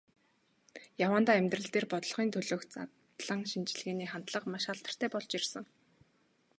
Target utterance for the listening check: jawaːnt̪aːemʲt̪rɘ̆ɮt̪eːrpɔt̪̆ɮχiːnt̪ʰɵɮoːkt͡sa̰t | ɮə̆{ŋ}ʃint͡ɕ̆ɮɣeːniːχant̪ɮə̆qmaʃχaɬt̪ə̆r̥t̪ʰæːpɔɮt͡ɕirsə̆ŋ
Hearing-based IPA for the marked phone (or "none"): ŋ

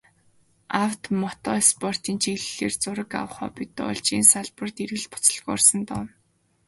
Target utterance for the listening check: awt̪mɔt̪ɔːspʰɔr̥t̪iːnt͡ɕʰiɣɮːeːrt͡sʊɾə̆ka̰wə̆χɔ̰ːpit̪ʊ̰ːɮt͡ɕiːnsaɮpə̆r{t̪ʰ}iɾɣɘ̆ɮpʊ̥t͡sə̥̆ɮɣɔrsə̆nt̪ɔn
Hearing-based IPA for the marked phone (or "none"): t̪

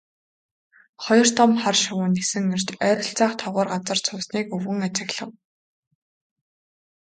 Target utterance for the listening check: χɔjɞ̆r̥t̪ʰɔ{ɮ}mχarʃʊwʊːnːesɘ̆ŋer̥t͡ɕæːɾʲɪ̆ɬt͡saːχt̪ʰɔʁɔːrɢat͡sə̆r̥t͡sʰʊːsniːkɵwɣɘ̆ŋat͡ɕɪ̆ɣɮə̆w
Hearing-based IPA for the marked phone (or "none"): none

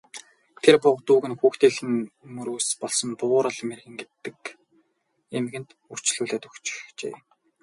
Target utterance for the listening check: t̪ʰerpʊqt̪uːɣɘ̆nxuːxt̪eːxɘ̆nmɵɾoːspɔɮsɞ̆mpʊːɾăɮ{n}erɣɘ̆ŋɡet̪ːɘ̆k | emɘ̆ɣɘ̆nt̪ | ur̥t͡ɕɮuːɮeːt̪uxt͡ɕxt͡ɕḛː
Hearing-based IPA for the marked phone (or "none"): m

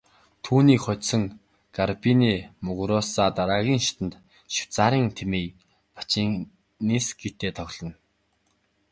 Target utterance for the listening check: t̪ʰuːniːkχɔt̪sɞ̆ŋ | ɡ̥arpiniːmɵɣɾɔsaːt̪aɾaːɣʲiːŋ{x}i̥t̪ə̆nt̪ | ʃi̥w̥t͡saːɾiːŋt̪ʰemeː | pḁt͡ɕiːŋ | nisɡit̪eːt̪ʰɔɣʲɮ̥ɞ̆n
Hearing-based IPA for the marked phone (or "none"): ʃ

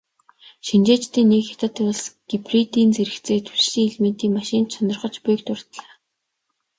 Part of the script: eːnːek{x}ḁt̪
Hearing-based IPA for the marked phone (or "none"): x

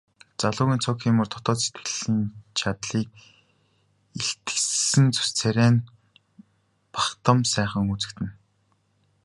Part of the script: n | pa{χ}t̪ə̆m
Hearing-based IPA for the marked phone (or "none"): χ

